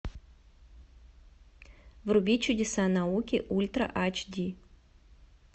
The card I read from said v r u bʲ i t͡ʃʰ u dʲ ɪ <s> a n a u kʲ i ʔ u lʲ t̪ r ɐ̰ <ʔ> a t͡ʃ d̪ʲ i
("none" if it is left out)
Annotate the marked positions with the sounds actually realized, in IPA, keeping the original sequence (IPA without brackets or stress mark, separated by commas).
s, ʔ